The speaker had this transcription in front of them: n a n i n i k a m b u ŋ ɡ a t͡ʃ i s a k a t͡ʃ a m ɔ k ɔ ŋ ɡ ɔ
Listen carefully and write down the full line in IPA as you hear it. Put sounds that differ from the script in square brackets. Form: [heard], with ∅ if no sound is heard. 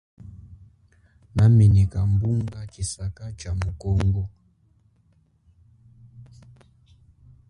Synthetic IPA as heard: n a [m] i n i k a m b u ŋ ɡ a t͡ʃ i s a k a t͡ʃ a m [u] k ɔ ŋ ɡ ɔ